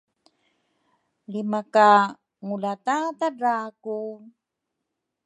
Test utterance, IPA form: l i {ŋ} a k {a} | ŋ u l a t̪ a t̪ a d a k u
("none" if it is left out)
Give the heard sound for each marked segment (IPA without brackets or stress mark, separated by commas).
m, a